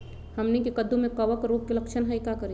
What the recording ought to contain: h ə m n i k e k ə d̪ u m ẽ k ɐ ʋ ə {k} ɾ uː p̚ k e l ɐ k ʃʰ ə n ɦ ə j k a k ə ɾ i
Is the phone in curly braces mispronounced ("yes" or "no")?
no